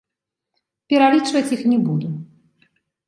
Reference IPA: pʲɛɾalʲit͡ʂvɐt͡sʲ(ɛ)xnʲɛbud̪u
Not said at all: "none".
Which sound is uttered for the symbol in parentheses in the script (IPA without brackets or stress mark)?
i